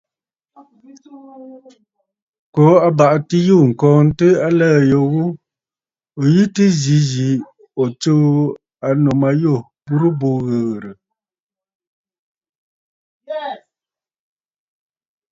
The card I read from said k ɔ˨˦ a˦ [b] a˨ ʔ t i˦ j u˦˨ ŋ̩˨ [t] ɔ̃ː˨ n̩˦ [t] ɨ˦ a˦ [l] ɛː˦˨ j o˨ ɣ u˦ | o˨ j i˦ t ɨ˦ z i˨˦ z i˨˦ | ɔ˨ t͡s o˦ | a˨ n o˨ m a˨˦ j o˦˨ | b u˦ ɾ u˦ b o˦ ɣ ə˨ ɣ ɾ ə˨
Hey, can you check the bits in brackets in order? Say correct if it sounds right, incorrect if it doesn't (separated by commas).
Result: correct, incorrect, correct, correct